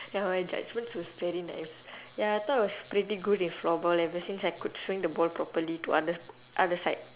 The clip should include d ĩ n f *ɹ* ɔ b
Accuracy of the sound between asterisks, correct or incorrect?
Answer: incorrect: l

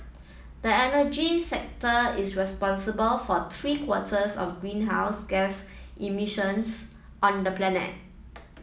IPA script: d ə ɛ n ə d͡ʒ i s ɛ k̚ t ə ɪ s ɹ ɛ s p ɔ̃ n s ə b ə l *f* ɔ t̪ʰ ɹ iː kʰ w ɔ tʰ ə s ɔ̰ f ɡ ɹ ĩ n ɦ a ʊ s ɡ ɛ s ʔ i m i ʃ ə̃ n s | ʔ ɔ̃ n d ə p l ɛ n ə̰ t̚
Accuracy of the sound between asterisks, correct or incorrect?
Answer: correct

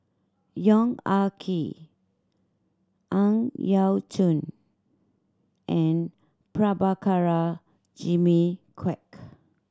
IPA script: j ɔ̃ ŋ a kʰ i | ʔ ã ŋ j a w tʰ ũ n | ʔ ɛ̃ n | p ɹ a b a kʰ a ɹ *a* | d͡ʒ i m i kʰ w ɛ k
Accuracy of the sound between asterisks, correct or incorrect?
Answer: correct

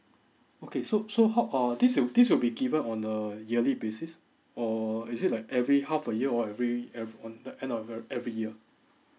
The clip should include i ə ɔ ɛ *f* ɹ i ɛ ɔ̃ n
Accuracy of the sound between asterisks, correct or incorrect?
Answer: incorrect: v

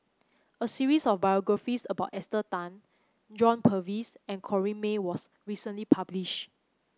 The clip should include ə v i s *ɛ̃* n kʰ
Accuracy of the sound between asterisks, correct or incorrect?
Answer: correct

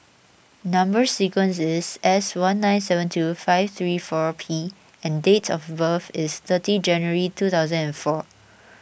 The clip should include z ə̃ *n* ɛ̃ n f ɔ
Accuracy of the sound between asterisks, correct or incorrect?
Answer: correct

